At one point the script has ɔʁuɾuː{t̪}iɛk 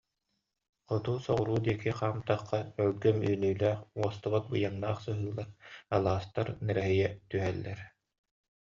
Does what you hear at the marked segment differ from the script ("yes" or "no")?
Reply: yes